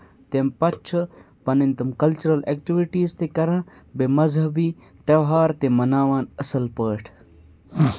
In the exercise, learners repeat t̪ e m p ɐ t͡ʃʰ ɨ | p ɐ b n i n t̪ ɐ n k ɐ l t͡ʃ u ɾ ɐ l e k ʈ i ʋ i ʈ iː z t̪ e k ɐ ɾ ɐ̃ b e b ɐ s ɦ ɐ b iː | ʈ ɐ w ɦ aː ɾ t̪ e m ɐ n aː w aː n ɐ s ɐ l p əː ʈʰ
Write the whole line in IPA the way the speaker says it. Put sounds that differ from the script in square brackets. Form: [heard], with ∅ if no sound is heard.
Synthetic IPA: t̪ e m p ɐ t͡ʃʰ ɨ | p ɐ [∅] n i n t̪ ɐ [m] k ɐ l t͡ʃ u ɾ ɐ l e k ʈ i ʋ i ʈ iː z t̪ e k ɐ ɾ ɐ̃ b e [m] ɐ [z] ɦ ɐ b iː | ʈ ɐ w ɦ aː ɾ t̪ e m ɐ n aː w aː n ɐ s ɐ l p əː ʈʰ